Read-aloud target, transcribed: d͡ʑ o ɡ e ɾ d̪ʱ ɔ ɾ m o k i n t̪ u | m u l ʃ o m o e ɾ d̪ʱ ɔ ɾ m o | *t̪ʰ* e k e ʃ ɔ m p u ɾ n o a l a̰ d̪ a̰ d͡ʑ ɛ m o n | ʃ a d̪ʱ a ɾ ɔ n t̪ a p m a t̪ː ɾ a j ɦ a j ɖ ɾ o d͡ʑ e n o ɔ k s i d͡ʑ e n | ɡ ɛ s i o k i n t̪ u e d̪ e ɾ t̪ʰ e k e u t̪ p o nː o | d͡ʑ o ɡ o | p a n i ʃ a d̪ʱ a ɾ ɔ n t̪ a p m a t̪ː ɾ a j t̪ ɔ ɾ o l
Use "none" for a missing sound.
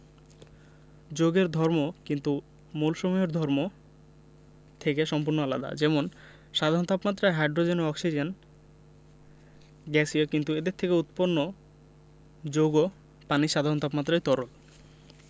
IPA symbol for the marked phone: t̪ʰ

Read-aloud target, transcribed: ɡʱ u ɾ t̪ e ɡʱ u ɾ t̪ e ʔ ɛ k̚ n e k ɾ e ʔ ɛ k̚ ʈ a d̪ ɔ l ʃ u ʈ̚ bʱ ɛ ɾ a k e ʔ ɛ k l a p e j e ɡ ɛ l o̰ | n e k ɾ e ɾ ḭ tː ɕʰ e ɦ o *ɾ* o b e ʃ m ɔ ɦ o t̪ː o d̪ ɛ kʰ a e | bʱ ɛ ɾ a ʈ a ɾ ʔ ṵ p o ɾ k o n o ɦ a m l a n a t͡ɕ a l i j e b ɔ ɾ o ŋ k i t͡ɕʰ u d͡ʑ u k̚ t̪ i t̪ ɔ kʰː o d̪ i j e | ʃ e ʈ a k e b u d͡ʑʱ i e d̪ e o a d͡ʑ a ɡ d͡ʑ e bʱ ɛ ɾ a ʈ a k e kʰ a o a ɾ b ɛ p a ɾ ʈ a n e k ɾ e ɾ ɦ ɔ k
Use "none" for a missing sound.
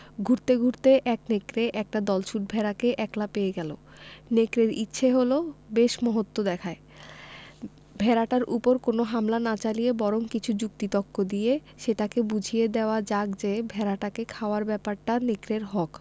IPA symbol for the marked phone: l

